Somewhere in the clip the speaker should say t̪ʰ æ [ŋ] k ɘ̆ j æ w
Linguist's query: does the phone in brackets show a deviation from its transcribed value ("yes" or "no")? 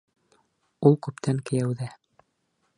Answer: no